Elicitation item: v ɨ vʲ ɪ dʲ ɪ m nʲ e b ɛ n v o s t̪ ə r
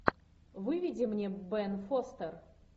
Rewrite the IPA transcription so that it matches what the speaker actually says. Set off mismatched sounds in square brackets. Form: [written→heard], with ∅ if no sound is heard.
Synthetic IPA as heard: v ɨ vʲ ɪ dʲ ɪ m nʲ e b ɛ n [v→f] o s t̪ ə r